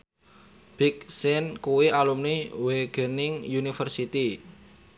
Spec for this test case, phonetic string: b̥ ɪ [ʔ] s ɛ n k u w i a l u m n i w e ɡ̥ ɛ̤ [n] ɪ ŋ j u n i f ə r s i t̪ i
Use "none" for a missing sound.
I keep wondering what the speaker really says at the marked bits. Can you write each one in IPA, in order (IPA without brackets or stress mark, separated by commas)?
k, n